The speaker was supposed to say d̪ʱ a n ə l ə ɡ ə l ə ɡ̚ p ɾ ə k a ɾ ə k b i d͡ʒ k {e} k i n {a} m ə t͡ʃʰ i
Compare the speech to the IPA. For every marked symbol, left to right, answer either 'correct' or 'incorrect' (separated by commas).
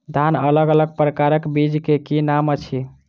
correct, correct